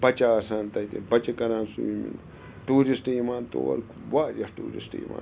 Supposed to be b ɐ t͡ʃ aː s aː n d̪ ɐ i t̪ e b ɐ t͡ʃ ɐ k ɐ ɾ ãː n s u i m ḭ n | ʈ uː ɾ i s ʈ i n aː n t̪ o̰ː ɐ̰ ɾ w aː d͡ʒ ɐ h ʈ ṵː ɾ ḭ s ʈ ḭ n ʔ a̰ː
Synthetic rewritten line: b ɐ t͡ʃ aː s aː n t̪ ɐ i t̪ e b ɐ t͡ʃ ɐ k ɐ ɾ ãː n s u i m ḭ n | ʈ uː ɾ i s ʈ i m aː n t̪ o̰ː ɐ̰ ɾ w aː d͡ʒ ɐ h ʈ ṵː ɾ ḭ s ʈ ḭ m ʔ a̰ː